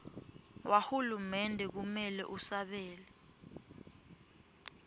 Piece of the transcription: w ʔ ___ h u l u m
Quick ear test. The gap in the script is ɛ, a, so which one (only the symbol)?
a